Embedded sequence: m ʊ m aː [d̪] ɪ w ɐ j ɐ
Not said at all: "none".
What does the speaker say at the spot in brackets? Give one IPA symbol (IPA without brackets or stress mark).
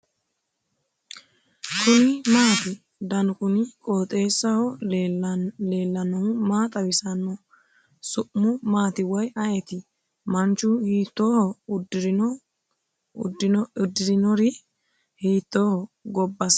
t̪